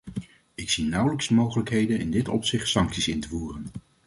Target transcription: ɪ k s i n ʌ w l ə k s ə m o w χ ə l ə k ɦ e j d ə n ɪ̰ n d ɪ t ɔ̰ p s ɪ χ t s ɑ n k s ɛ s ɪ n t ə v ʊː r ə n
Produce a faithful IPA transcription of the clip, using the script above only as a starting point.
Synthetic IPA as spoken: ɪ k s i n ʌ w l ə k s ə m o w χ ə l ə k ɦ e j d ə n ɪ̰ n d ɪ t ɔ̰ p s ɪ χ t s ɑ ŋ k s i s ɪ n t ə v uː r ə n